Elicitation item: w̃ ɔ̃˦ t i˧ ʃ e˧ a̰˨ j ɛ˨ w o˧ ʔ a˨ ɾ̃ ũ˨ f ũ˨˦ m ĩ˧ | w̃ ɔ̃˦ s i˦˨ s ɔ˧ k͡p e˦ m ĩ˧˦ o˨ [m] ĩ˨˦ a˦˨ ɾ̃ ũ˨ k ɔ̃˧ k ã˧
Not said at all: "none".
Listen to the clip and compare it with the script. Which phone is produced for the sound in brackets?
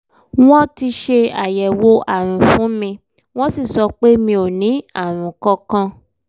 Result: n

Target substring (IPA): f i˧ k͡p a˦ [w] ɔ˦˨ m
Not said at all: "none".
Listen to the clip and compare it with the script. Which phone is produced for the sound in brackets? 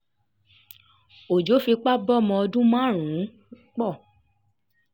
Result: b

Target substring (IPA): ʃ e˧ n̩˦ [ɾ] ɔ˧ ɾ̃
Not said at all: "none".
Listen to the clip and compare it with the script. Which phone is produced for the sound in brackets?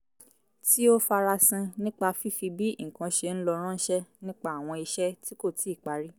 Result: l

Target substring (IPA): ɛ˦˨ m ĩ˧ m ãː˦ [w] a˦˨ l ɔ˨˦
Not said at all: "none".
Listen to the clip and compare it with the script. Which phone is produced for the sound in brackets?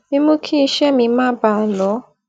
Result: b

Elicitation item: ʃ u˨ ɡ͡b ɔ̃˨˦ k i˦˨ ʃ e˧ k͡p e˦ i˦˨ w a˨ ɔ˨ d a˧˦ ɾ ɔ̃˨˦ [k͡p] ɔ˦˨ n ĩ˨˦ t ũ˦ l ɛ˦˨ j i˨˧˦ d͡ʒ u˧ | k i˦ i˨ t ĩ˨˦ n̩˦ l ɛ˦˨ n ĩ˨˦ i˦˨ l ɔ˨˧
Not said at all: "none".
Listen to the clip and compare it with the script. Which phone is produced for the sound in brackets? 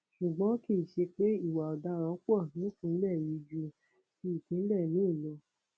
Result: k͡p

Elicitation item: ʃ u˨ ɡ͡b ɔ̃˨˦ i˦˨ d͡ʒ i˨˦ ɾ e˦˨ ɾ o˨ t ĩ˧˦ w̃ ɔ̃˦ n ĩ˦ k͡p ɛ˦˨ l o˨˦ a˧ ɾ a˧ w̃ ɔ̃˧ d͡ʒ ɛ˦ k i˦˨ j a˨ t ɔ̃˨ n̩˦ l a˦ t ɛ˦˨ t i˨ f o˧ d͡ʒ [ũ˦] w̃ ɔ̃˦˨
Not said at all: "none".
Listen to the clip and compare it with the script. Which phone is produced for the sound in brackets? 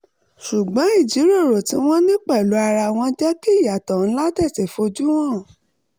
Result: u˦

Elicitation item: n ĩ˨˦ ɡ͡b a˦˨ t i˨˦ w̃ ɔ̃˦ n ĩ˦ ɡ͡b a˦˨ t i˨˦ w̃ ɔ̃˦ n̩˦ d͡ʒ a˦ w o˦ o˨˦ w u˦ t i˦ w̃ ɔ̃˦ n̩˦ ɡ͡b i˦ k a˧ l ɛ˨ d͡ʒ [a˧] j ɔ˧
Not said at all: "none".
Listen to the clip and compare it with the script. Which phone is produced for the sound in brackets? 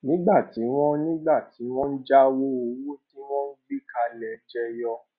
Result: ɛ˧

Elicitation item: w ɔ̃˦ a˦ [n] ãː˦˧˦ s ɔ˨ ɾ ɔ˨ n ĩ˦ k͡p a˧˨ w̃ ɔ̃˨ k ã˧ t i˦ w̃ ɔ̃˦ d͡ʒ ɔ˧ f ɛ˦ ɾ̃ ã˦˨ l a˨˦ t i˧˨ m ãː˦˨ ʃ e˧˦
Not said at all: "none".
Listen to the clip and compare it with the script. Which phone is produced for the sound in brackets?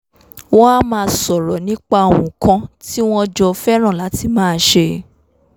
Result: m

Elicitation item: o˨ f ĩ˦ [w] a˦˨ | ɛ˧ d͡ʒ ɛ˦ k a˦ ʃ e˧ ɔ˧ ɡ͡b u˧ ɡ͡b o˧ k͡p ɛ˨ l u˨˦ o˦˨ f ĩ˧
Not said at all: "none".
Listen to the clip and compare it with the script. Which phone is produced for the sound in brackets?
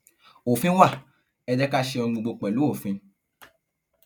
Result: w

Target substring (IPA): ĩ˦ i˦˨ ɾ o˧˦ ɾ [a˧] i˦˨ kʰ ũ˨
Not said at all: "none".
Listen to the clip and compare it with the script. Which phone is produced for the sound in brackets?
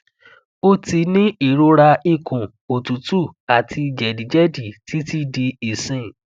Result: a˧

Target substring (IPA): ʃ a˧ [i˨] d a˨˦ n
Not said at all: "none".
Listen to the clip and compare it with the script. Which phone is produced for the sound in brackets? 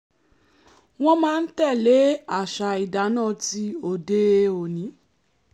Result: i˨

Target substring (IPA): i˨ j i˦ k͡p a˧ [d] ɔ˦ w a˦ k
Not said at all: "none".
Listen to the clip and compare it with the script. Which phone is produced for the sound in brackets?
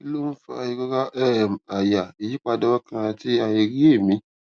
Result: d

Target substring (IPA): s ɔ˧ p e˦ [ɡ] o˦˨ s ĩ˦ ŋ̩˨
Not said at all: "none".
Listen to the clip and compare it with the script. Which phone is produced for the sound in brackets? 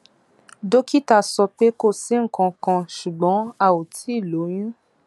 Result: k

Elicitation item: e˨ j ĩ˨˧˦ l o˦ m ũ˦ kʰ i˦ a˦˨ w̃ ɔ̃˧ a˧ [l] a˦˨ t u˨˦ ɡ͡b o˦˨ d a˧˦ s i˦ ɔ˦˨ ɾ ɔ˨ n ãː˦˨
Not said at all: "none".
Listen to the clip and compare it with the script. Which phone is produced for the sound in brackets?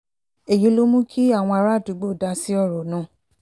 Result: ɾ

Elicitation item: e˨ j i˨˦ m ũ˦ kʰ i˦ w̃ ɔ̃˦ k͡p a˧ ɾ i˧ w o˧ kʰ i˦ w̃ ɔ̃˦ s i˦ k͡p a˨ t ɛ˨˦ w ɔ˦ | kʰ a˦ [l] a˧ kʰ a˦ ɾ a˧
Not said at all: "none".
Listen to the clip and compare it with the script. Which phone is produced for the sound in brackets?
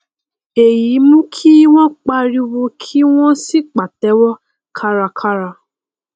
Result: ɾ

